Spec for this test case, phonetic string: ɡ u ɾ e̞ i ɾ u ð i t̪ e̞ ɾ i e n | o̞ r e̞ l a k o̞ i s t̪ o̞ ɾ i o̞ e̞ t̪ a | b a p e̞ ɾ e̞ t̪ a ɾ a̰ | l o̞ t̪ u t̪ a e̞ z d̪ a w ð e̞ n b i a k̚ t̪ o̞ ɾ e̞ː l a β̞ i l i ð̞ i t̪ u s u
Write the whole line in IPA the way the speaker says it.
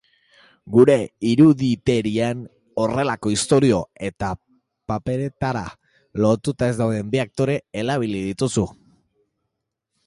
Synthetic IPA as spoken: ɡ u ɾ e̞ i ɾ u ð i t̪ e̞ ɾ i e n | o̞ r e̞ l a k o̞ i s t̪ o̞ ɾ i o̞ e̞ t̪ a | p a p e̞ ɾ e̞ t̪ a ɾ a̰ | l o̞ t̪ u t̪ a e̞ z d̪ a w ð e̞ m b i a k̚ t̪ o̞ ɾ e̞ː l a β̞ i l i ð̞ i t̪ u s u